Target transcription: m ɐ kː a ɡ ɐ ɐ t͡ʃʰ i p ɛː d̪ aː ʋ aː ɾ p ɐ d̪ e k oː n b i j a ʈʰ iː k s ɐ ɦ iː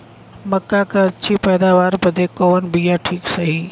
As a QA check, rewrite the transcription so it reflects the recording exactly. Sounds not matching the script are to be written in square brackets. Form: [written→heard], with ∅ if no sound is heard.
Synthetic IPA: m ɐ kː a [ɡ→k] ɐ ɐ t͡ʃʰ i p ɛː d̪ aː ʋ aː ɾ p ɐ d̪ e k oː n b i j a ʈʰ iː k s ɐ ɦ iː